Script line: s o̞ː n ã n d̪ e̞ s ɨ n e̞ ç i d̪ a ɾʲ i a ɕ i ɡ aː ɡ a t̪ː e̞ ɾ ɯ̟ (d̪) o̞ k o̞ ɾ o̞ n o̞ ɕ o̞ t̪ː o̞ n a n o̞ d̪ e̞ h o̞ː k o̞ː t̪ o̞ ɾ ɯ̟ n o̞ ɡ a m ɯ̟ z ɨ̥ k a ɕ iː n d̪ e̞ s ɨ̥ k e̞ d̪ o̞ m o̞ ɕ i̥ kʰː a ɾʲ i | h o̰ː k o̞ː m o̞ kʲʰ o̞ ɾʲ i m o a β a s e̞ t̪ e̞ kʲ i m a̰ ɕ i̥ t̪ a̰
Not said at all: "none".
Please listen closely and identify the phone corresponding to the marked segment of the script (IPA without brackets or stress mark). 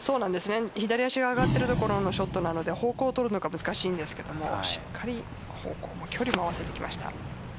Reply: t̪